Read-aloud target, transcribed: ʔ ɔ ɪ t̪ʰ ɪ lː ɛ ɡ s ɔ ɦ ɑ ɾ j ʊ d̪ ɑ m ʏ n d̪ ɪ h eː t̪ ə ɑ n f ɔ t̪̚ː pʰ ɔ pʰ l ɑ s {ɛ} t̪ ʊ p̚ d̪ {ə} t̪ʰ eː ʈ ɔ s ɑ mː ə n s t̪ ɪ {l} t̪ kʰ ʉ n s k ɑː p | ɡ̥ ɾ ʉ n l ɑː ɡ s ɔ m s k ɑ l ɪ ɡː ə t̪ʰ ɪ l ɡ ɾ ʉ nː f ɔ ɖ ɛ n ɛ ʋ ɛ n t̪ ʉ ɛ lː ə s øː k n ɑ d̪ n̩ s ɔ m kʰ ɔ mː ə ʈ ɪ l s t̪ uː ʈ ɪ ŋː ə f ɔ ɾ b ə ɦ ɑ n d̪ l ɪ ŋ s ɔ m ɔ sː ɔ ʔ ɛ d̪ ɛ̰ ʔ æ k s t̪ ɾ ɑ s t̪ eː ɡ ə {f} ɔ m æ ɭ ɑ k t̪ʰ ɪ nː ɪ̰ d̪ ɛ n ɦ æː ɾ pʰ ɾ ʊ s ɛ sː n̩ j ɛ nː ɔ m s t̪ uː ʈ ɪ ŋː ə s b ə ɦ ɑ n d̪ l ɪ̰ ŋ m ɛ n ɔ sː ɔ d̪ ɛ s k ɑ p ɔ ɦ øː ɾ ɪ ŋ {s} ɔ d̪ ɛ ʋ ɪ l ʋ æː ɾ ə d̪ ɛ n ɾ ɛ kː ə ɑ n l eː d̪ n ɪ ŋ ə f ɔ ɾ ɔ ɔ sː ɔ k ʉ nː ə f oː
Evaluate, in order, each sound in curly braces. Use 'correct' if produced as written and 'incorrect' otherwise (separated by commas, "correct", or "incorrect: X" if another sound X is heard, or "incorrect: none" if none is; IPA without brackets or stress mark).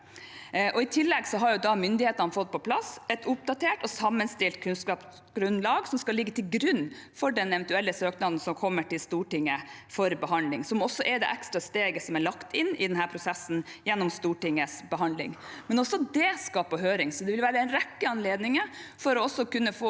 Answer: correct, incorrect: ɑ, correct, incorrect: s, correct